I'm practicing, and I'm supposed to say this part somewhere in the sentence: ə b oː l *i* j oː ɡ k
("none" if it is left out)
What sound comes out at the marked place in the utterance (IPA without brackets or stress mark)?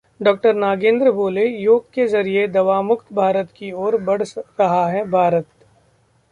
e